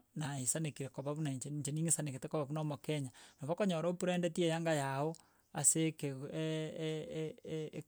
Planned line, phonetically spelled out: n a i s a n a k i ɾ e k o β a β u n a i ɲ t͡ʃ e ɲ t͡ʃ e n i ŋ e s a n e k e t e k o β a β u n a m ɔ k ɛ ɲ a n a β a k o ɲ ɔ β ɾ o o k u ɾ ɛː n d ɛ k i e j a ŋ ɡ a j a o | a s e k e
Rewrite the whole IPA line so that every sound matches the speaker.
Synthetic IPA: n a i s a n e k i ɾ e k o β a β u n a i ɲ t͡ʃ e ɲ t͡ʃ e n i ŋ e s a n e k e t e k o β a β u n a m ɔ k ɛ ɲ a n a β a k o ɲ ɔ ɾ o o p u ɾ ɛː n d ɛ t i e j a ŋ ɡ a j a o | a s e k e